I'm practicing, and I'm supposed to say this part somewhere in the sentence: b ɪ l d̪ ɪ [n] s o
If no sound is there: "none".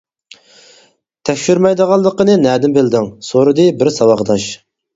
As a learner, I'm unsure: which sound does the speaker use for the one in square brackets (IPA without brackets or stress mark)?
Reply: ŋ